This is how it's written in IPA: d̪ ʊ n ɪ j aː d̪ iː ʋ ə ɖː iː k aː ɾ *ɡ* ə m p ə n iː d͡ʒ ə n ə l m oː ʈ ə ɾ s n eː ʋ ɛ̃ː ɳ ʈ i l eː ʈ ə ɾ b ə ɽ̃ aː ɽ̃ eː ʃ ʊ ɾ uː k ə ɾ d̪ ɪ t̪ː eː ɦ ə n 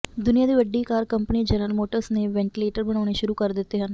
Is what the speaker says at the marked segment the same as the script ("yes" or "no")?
no